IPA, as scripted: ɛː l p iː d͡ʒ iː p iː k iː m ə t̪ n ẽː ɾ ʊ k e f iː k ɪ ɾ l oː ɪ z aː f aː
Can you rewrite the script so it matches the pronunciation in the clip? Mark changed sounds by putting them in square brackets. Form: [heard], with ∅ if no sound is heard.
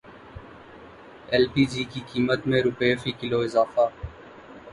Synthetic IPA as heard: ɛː l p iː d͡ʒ iː [k] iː k iː m ə t̪ [m] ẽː ɾ ʊ [p] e f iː k ɪ [∅] l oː ɪ z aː f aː